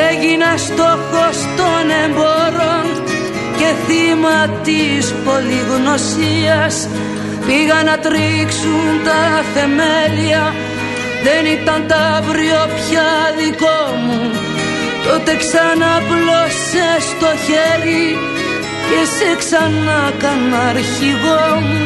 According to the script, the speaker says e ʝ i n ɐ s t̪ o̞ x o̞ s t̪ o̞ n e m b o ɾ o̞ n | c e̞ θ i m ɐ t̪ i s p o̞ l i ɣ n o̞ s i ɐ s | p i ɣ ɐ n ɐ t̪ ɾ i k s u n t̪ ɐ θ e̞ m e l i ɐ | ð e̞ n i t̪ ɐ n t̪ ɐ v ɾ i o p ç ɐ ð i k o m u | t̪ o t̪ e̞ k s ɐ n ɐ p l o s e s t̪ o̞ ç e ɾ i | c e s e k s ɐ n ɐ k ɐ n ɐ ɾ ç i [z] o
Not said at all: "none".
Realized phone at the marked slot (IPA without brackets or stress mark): ɣ